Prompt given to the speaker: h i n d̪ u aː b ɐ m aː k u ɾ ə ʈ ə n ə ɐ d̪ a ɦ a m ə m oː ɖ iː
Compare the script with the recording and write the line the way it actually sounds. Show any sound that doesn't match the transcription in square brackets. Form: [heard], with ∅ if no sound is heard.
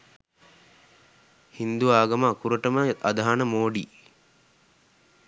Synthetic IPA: h i n d̪ u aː [ɡ] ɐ m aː k u ɾ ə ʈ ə [m] ə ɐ d̪ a ɦ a [n] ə m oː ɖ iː

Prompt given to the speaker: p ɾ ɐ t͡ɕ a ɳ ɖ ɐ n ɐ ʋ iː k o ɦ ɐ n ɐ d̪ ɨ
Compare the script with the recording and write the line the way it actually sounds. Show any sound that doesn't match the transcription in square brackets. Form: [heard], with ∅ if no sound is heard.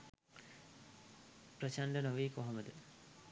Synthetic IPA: p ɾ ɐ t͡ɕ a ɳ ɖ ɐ n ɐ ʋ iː k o ɦ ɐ [m] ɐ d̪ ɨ

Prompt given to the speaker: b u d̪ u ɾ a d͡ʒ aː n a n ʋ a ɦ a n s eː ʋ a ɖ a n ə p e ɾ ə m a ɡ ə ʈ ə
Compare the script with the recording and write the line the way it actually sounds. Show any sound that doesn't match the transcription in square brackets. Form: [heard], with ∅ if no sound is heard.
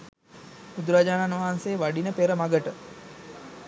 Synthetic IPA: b u d̪ u ɾ a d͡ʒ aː n a n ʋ a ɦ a n s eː ʋ a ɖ [i] n ə p e ɾ ə m a ɡ ə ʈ ə

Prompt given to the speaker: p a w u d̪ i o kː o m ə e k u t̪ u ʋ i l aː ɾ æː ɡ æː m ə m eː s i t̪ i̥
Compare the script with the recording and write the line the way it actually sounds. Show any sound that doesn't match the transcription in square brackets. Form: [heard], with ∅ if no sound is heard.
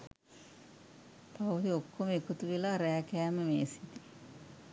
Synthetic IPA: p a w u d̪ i o kː o m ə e k u t̪ u ʋ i l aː ɾ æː [k] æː m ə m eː s i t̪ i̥

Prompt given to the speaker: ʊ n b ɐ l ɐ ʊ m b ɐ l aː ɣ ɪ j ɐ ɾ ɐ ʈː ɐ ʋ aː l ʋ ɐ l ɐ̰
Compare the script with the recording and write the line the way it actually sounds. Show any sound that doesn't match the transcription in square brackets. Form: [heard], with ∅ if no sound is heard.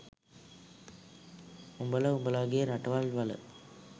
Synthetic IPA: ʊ [m] b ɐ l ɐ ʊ m b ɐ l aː ɣ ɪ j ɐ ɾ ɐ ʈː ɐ ʋ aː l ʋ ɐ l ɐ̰

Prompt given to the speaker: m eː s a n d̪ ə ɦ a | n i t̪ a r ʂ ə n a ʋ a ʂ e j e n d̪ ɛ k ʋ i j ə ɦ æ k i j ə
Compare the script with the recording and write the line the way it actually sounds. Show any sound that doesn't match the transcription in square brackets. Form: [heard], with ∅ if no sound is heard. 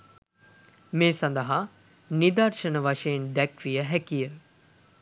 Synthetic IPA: m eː s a n d̪ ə ɦ a | n i [d̪] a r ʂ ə n [ə] ʋ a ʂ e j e n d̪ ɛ k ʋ i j ə ɦ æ k i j ə

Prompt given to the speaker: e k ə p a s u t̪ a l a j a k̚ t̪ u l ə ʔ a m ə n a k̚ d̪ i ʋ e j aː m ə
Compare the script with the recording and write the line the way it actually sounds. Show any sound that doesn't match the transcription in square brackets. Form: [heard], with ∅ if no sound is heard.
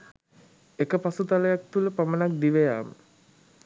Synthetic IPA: e k ə p a s u t̪ a l [ə] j a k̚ t̪ u l ə [p] a m ə n a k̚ d̪ i ʋ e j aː m ə

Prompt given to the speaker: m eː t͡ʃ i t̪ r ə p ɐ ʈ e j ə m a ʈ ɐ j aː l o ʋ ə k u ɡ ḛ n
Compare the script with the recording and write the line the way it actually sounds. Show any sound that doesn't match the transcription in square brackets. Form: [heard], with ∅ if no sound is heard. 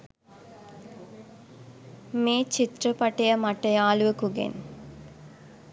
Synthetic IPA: m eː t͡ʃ i t̪ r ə p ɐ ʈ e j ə m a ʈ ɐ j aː l [u] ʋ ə k u ɡ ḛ n

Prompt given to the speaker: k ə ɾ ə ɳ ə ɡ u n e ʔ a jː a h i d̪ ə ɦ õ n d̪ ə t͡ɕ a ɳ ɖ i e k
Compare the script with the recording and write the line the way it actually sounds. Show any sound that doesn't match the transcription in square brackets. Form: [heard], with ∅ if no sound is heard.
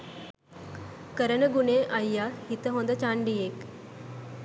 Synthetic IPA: k ə ɾ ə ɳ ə ɡ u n e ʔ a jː a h i [t̪] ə ɦ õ n d̪ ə t͡ɕ a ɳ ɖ i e k

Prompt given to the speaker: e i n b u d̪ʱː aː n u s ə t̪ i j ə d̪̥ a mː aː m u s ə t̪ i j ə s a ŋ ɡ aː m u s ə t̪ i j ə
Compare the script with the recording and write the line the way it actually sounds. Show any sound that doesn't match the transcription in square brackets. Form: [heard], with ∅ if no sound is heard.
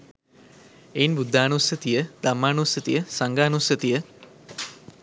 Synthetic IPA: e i n b u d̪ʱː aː n u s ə t̪ i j ə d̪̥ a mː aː [n] u s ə t̪ i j ə s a ŋ ɡ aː [n] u s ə t̪ i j ə

